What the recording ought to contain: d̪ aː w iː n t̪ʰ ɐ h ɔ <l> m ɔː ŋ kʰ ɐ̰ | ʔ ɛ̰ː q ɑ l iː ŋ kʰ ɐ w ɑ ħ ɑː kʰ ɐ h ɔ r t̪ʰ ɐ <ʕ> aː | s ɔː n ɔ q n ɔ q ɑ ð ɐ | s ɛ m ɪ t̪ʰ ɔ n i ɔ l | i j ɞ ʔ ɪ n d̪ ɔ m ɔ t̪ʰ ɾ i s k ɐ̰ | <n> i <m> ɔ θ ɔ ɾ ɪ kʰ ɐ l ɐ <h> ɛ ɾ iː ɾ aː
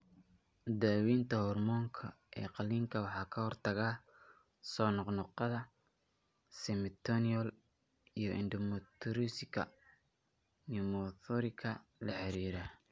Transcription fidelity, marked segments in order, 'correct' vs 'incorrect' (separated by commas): incorrect, incorrect, correct, correct, incorrect